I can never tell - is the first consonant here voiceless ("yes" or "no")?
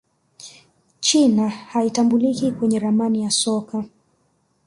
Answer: yes